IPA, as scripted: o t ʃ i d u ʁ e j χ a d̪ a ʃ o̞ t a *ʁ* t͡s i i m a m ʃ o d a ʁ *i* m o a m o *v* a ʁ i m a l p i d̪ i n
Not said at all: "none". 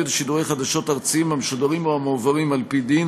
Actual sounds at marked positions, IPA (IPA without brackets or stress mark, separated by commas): ʁ, i, v